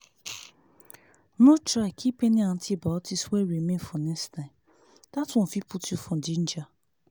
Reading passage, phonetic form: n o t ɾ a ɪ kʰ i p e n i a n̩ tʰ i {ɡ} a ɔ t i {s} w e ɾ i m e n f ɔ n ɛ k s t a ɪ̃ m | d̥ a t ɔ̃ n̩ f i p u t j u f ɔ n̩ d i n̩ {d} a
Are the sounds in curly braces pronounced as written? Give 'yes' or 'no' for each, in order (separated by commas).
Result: no, yes, no